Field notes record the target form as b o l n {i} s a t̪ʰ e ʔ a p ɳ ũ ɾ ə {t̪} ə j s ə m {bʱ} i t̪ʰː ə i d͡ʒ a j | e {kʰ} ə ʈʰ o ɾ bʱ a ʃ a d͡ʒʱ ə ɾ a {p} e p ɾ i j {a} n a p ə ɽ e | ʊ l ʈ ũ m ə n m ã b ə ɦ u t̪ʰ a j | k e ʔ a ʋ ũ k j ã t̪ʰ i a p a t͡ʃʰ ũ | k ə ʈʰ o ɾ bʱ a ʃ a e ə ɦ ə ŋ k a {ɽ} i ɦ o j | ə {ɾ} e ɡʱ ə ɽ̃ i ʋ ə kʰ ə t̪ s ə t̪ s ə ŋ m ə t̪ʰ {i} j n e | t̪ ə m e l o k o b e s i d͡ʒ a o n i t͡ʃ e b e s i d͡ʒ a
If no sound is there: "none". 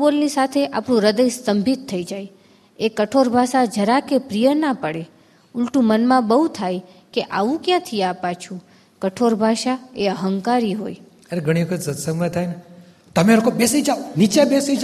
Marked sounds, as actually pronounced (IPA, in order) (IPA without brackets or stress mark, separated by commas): i, d̪, bʱ, k, k, ə, ɾ, ɾ, a